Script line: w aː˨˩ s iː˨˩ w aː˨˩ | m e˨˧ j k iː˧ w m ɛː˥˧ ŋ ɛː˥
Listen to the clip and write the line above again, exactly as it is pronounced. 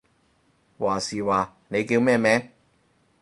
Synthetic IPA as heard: w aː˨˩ s iː˨˩ w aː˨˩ | n e˨˧ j k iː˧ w m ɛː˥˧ m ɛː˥